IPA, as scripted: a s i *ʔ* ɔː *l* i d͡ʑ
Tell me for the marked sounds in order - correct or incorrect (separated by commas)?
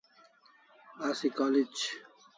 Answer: incorrect, correct